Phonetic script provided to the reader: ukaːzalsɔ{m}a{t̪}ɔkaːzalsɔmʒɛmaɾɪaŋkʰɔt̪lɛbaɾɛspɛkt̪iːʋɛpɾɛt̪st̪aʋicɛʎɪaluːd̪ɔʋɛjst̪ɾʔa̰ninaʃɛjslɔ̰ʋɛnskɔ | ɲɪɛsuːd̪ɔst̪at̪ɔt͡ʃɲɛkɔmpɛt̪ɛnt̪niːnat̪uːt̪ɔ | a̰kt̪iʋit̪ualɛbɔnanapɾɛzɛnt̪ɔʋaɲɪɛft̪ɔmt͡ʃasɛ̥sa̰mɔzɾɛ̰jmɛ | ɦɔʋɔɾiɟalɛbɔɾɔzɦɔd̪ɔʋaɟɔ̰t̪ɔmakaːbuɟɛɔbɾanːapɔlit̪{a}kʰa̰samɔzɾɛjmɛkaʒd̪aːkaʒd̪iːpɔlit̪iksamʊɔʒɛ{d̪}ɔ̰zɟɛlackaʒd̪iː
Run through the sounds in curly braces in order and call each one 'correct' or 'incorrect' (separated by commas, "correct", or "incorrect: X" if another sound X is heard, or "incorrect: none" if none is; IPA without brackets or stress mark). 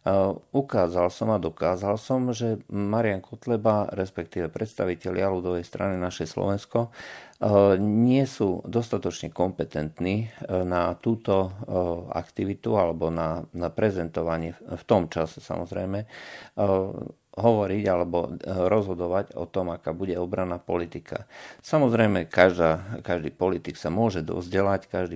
correct, incorrect: d̪, incorrect: i, correct